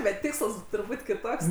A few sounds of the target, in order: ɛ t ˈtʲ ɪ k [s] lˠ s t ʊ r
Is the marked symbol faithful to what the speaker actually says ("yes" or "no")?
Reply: yes